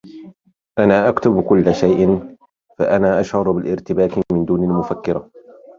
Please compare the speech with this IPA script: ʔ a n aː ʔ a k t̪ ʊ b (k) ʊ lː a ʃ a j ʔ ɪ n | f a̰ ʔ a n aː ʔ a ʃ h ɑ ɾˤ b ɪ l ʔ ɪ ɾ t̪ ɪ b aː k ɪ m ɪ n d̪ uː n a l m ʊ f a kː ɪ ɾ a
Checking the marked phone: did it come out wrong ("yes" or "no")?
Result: no